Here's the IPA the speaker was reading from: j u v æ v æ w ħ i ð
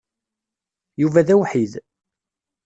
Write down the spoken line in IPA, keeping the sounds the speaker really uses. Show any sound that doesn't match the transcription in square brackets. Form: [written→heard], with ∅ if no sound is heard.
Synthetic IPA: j u v æ [v→ð] æ w ħ i ð

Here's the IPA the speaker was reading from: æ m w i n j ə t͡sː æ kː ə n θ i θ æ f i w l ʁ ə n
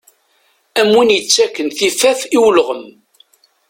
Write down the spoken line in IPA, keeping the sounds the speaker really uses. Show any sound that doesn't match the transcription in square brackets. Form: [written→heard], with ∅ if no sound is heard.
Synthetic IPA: æ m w i n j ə t͡sː æ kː ə n θ i [θ→f] æ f i w l ʁ ə [n→m]

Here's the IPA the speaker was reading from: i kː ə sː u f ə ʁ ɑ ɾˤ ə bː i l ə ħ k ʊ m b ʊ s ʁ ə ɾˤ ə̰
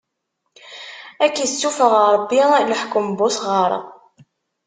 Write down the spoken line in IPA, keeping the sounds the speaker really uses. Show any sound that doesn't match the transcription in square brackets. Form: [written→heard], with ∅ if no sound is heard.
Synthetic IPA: [i→æ] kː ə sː u f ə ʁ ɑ ɾˤ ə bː i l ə ħ k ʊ m b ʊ s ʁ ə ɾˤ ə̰

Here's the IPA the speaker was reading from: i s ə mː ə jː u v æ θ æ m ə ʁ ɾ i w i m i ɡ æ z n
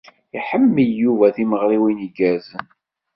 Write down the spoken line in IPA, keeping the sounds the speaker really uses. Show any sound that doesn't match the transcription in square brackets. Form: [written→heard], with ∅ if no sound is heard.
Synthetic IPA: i [s→ħ] ə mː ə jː u v æ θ [æ→i] m ə ʁ ɾ i w i [m→n] i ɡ æ z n

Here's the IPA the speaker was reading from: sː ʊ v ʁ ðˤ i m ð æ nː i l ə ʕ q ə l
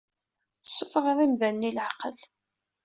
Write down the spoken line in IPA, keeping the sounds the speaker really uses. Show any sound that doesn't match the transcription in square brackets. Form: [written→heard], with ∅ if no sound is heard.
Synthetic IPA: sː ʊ [v→f] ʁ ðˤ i m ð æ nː i l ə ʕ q ə l

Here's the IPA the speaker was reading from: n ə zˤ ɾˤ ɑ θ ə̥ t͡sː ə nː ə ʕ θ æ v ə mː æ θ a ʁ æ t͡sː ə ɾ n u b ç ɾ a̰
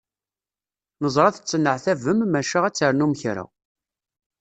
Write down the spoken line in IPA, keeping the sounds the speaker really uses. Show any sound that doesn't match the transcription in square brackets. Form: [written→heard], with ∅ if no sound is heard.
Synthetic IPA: n ə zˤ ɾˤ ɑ θ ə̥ t͡sː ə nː ə ʕ θ æ v ə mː æ [θ→ʃ] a ʁ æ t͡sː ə ɾ n u [b→m] ç ɾ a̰

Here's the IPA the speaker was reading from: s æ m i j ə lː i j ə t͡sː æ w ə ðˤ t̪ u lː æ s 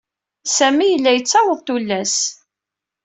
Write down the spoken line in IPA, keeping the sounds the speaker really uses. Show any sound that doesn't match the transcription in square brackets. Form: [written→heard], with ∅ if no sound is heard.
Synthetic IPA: s æ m i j ə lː [i→æ] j ə t͡sː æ w ə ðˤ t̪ u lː æ s

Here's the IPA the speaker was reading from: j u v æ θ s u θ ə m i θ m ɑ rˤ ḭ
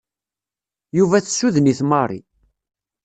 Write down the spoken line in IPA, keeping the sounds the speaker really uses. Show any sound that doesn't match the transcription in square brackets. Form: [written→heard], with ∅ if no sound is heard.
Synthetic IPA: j u v æ θ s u [θ→ð] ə [m→n] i θ m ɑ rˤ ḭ

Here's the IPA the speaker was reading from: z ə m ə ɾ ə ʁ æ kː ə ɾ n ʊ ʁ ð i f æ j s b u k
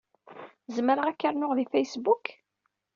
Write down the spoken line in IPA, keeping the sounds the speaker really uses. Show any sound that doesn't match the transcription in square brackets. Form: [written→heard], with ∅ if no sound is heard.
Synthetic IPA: z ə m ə ɾ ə ʁ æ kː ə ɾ n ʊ ʁ ð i f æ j s b u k

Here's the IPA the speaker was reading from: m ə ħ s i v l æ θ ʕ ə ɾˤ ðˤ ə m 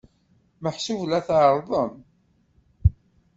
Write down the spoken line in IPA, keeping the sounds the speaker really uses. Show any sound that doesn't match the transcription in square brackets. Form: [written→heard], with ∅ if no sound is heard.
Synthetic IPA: m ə ħ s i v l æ θ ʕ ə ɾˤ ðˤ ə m

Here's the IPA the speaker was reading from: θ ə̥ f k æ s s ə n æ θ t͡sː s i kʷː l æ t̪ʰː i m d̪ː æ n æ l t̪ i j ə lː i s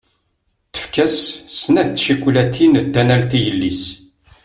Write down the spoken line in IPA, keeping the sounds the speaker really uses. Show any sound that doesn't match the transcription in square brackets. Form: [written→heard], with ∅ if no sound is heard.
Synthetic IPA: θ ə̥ f k æ s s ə n æ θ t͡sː [s→ʃ] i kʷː l æ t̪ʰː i [m→n] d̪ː æ n æ l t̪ i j ə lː i s

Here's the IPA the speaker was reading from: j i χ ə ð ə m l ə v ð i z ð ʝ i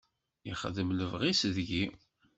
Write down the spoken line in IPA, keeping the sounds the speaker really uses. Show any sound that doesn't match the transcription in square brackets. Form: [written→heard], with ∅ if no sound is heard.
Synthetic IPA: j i χ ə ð ə m l ə v [ð→ʁ] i [z→s] ð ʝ i

